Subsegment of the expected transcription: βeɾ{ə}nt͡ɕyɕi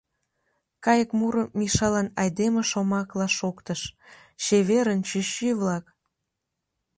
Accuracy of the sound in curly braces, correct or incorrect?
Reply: correct